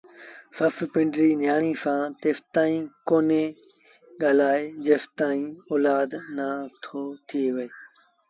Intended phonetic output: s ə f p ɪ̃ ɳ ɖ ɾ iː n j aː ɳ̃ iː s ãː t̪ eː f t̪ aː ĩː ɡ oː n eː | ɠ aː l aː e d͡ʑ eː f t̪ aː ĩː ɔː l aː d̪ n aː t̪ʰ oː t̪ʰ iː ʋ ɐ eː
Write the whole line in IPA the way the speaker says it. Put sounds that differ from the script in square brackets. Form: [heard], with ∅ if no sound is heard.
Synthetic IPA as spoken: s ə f p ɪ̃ ɳ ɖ ɾ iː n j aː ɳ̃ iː s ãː t̪ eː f t̪ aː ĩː [k] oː n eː | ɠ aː l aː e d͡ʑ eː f t̪ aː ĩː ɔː l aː d̪ n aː t̪ʰ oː t̪ʰ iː ʋ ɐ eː